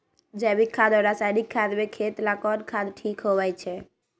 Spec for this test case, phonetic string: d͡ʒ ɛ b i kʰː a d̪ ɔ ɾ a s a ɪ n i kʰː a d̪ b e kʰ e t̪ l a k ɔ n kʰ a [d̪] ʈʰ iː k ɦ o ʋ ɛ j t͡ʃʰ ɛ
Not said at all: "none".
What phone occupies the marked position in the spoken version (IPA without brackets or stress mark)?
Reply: d̪